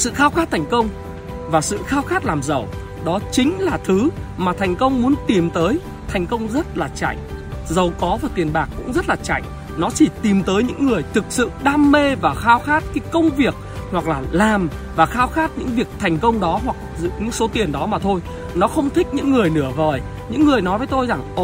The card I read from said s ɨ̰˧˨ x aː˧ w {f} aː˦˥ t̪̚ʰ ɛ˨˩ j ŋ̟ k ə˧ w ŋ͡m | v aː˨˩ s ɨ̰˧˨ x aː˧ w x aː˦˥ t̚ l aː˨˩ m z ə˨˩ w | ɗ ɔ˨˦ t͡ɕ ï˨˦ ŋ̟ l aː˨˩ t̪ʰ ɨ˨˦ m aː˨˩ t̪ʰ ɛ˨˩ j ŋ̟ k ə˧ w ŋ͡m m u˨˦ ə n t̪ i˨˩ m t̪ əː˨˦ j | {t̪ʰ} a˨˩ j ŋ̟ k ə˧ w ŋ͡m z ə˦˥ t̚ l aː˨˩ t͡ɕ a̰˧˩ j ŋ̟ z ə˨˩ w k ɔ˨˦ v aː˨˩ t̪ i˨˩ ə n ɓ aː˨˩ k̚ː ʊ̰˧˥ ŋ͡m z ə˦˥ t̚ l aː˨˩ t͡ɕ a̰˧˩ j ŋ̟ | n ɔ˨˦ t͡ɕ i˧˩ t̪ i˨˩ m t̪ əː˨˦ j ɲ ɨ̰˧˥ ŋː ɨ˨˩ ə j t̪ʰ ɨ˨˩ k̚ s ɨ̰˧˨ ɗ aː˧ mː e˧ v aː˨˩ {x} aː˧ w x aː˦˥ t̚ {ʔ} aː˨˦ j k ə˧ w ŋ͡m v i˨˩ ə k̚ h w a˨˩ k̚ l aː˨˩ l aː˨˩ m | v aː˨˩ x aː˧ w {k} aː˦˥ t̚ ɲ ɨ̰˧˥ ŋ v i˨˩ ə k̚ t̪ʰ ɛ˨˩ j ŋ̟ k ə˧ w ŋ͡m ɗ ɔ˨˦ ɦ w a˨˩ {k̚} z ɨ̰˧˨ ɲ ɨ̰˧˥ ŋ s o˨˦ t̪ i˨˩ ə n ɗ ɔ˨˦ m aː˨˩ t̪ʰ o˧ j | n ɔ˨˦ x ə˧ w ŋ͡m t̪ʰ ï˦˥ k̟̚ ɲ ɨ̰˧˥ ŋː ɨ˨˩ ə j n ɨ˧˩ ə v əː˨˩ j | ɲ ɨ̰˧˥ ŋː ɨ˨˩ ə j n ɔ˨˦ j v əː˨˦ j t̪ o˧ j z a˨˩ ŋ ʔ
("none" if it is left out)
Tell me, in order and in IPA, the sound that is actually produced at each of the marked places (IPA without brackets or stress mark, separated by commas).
x, t̪ʰ, x, k, x, k̚